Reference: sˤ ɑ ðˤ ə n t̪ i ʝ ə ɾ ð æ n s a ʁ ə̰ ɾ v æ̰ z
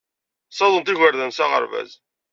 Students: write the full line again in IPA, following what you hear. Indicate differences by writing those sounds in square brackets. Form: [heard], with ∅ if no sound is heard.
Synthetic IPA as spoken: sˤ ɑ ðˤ ə n t̪ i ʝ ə ɾ ð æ n s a ʁ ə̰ ɾ v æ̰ z

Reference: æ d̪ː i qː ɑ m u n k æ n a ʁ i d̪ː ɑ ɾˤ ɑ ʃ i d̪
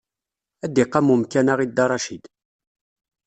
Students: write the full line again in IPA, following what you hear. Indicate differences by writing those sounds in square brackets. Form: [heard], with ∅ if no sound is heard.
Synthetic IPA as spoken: æ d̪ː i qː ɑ m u [m] k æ n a ʁ i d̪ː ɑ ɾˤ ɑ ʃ i d̪

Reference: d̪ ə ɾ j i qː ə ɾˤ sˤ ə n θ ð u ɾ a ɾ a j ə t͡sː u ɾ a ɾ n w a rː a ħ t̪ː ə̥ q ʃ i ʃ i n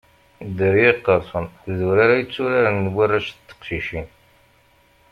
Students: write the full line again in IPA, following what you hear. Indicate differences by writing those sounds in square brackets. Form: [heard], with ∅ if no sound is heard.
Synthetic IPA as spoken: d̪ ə ɾ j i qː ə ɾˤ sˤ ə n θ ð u ɾ a ɾ a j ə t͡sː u ɾ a ɾ n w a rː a [ʃ] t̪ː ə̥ q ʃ i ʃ i n

